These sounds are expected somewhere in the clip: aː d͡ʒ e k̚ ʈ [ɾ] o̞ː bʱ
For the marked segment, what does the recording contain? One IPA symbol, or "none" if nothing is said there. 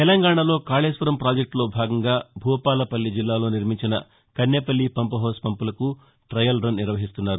l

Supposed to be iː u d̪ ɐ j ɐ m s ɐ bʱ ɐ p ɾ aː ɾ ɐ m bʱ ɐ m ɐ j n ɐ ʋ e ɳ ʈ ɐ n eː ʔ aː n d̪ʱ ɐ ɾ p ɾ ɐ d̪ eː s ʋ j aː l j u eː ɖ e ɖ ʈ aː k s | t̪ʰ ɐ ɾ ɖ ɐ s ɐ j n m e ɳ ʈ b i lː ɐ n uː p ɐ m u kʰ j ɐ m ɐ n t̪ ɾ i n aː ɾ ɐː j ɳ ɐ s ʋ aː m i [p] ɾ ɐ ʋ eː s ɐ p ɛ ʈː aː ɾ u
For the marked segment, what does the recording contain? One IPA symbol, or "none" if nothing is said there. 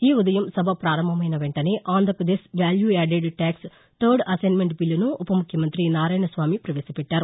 p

